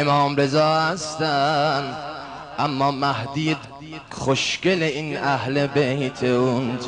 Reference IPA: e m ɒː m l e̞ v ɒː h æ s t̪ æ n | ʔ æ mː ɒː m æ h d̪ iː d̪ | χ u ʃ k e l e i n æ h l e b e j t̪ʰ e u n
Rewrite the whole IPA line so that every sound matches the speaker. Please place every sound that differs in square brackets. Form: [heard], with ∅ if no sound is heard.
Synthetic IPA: e m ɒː m [ɾ] e̞ [z] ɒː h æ s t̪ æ n | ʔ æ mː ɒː m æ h d̪ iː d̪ | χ [o] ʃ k e l e i n æ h l e b e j t̪ʰ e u n